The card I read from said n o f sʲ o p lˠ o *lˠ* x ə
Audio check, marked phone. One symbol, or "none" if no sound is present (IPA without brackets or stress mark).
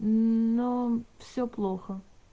none